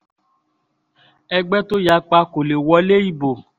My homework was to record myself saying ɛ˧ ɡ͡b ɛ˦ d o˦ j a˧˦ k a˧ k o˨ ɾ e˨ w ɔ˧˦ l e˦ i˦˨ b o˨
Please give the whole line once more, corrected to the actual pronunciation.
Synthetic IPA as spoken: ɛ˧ ɡ͡b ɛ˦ t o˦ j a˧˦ k͡p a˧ k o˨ l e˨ w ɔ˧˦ l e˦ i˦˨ b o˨